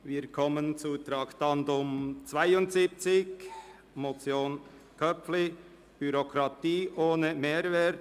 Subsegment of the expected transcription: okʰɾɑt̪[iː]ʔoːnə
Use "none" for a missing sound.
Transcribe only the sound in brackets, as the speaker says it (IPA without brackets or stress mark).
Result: iː